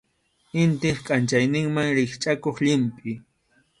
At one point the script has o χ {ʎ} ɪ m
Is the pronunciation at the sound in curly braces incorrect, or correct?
correct